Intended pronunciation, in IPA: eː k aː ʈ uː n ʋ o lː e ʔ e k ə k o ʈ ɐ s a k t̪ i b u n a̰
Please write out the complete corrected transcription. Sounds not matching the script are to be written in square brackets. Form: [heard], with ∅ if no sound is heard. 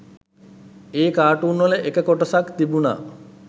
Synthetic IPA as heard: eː k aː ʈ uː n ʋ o [l] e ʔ e k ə k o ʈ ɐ s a k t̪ i b u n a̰